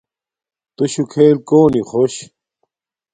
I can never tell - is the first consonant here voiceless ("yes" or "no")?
yes